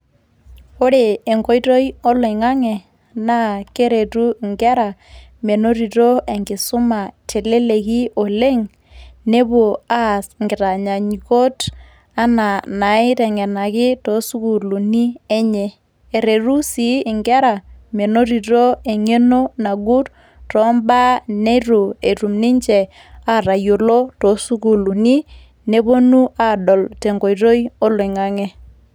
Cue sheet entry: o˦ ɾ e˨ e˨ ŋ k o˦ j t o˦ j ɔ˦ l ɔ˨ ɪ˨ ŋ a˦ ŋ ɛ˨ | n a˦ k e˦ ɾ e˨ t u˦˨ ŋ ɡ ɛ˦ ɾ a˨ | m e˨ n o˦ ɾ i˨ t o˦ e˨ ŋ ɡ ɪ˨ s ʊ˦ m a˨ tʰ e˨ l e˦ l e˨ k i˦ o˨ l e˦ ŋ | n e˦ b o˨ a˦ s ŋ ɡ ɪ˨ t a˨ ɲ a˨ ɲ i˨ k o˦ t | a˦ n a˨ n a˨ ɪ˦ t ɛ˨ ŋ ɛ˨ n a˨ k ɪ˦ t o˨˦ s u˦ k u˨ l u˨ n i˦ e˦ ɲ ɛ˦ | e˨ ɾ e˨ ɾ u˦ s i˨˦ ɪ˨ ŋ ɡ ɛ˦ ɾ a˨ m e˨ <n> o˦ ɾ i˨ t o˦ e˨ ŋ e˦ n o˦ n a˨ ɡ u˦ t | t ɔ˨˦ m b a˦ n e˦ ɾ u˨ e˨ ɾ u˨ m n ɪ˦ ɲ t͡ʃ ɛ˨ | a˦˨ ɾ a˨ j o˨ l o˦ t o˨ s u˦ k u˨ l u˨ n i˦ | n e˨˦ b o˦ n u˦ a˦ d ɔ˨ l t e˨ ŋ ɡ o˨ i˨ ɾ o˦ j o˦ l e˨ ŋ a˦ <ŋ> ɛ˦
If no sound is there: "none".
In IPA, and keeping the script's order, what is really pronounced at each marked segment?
n, ŋ

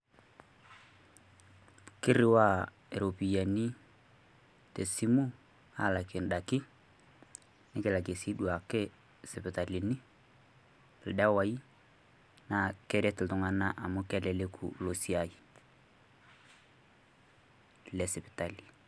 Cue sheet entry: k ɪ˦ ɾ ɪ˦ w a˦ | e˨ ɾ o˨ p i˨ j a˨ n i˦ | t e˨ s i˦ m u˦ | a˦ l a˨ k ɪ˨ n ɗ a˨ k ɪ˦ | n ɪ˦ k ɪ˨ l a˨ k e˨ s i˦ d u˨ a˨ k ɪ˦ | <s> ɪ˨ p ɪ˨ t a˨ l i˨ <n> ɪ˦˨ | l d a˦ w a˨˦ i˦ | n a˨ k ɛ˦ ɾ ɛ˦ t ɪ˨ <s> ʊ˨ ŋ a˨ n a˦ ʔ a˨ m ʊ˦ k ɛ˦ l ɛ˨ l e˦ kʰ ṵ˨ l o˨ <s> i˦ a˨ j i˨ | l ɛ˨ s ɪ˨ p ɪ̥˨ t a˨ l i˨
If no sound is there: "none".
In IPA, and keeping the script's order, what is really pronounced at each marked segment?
s, n, t, s

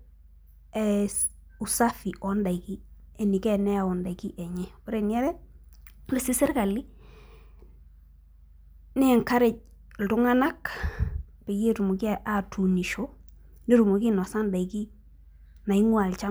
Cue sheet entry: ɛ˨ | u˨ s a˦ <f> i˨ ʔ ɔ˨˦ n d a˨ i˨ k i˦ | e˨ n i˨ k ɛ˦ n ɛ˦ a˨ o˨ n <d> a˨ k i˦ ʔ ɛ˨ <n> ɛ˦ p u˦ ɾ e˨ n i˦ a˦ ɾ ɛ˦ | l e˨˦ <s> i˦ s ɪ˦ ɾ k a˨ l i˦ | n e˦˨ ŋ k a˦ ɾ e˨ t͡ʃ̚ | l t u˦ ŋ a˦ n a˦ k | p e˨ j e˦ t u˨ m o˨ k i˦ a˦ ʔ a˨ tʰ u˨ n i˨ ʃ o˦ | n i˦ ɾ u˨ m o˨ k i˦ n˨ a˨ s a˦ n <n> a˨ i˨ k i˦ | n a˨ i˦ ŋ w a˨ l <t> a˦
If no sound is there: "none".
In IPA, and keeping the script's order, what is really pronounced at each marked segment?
f, d, ɲ, s, d, t͡ʃ

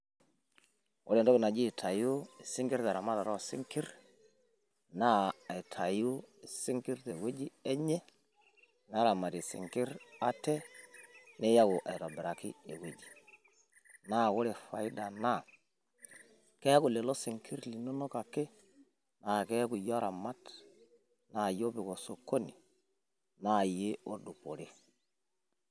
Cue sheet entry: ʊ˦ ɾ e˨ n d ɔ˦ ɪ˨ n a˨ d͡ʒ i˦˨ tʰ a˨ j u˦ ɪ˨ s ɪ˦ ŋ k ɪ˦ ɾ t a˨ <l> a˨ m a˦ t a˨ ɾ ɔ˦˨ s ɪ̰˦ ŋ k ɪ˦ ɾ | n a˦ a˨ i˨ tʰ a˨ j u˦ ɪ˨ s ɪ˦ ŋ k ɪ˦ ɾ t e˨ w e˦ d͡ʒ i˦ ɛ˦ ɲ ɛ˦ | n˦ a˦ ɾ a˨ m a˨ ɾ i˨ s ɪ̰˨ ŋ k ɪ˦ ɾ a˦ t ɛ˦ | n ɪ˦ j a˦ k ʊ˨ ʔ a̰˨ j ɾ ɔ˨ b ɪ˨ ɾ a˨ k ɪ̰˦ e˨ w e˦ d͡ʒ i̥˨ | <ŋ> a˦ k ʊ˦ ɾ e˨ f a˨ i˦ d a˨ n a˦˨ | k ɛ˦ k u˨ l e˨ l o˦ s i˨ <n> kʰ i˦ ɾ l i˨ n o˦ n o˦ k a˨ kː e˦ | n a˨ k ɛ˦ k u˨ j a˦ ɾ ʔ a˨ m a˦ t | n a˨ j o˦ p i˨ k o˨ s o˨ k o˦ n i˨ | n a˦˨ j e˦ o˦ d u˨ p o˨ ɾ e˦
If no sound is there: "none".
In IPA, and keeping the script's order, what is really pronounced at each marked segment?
ɾ, n, ŋ

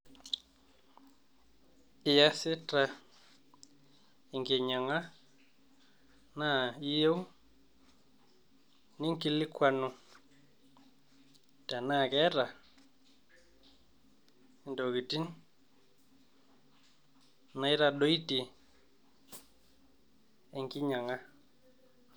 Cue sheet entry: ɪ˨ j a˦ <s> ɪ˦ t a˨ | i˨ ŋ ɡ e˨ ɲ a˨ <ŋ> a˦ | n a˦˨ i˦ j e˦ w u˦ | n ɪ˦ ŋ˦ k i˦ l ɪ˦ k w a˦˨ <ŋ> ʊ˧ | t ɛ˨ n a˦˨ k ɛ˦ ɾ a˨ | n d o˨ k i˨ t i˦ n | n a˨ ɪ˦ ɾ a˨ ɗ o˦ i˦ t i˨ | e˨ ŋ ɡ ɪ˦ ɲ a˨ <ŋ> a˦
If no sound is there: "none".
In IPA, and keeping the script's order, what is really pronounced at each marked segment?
s, ŋ, n, ŋ

